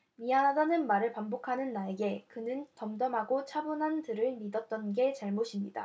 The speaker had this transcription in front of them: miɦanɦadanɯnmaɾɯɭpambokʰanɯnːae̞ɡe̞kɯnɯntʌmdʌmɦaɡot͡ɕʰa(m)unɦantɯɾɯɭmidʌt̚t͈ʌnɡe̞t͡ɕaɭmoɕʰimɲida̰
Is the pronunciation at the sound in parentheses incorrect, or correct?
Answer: incorrect